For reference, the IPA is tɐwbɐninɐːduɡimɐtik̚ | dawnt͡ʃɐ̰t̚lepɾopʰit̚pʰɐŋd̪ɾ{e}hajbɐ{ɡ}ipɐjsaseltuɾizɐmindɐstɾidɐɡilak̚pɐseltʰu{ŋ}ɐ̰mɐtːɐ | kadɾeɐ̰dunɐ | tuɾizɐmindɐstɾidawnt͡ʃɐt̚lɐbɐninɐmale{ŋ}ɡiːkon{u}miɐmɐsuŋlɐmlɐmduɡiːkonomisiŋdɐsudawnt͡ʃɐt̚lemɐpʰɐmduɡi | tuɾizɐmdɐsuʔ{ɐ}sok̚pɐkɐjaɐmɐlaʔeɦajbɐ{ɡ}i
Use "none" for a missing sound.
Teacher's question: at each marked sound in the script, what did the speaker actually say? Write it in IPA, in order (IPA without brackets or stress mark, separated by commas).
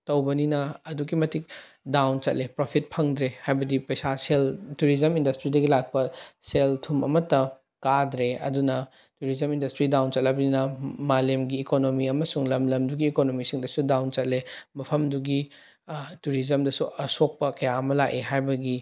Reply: e, d, m, m, o, ɐ, ɡ